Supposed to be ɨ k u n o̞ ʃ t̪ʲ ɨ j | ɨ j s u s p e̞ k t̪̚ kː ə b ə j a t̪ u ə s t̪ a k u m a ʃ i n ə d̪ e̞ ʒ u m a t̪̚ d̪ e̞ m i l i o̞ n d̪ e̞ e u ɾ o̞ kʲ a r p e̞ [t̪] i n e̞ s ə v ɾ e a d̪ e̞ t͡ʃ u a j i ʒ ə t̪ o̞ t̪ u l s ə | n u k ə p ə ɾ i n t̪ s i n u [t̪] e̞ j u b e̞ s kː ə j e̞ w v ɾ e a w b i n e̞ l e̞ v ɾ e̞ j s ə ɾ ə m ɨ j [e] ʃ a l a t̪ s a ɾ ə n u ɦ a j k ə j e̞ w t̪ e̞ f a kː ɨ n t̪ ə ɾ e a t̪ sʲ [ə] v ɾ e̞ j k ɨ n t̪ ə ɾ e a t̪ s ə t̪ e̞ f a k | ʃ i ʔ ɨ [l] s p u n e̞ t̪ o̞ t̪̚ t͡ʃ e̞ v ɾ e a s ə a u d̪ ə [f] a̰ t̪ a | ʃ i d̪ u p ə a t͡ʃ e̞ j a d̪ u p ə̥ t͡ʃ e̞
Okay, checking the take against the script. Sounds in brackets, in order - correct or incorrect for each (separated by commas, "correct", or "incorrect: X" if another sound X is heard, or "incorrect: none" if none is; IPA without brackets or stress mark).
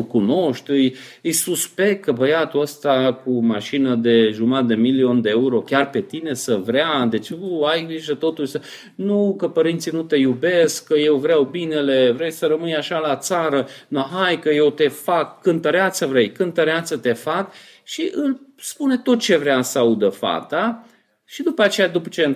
correct, correct, incorrect: a, correct, correct, correct